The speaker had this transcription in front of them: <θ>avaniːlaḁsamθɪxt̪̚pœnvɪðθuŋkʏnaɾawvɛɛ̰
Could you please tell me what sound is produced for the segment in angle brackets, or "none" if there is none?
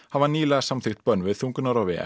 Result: h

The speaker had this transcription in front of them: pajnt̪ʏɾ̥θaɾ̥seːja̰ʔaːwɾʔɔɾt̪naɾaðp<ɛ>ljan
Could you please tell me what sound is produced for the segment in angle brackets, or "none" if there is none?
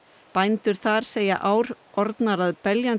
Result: ɛ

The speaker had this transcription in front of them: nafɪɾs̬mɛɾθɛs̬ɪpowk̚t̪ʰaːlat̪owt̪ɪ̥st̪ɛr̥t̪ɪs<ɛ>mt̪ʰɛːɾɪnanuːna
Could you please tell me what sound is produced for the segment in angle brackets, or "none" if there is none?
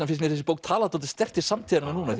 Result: a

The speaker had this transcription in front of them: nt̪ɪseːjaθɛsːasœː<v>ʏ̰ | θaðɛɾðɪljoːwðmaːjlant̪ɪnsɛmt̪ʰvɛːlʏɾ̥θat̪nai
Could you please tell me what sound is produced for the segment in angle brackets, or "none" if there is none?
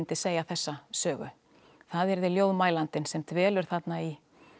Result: ɣ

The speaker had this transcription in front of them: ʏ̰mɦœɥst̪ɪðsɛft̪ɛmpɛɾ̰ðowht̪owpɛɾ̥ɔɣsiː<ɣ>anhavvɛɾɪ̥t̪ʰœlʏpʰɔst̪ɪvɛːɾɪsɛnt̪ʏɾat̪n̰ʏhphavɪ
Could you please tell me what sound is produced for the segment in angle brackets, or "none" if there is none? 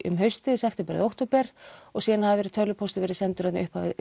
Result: ð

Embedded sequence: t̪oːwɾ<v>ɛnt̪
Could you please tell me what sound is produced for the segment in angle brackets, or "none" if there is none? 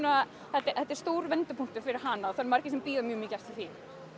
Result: v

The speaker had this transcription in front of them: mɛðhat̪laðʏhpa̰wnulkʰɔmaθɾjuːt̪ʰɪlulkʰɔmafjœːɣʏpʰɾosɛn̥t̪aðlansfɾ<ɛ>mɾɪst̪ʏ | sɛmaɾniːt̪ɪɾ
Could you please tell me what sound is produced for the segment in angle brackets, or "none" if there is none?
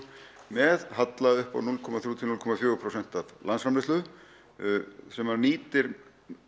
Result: a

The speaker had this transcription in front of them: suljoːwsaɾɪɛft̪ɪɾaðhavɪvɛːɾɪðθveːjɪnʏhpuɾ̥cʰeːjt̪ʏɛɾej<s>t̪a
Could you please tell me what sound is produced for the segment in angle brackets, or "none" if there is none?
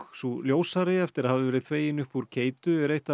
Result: h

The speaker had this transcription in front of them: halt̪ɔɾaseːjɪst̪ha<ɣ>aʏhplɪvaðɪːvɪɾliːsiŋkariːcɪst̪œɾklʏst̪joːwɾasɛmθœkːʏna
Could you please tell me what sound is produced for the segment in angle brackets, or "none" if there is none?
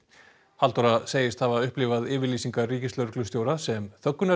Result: v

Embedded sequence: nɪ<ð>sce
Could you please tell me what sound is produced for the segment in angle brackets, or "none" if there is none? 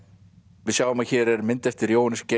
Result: none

